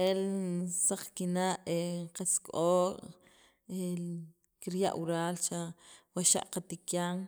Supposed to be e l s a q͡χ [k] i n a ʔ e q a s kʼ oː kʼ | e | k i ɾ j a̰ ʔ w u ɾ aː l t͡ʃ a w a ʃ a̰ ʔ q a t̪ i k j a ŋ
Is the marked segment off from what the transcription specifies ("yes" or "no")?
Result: no